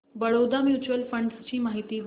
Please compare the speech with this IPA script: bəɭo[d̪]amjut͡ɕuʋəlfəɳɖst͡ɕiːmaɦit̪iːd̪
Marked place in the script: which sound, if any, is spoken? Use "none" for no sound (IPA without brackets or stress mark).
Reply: d̪